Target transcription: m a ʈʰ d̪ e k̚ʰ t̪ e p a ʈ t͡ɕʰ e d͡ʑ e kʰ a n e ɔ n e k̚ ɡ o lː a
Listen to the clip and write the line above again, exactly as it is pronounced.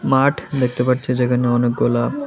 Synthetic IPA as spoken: m a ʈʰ d̪ e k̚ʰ t̪ e p a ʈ t͡ɕʰ e d͡ʑ e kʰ a n e ɔ n e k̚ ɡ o l a